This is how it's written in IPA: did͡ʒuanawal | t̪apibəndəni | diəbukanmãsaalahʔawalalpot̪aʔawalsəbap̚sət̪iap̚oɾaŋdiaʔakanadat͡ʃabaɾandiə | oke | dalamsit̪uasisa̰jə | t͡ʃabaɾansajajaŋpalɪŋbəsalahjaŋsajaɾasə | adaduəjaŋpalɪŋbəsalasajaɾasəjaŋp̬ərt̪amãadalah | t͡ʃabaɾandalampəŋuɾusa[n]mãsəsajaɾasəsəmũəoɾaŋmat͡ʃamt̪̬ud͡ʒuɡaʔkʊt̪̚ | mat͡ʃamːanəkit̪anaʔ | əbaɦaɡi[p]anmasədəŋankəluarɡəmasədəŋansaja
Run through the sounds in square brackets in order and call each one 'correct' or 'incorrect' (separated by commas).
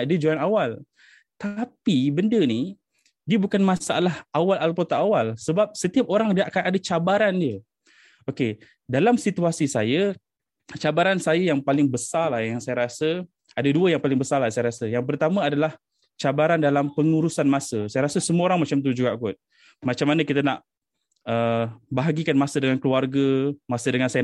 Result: correct, incorrect